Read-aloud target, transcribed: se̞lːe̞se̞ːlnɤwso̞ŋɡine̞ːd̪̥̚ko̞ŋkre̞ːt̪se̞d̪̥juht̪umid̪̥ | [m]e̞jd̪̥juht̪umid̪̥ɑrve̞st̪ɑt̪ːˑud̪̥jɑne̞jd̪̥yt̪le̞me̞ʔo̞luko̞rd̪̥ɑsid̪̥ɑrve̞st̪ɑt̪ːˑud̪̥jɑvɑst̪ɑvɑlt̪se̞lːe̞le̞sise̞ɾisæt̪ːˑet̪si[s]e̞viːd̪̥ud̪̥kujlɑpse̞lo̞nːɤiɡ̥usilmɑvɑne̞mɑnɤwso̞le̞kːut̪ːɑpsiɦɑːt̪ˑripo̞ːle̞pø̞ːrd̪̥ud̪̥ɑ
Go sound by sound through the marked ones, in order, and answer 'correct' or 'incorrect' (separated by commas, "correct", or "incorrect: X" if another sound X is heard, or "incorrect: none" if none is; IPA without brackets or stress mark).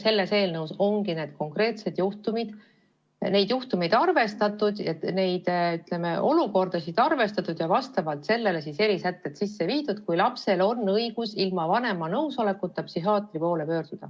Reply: incorrect: n, incorrect: sː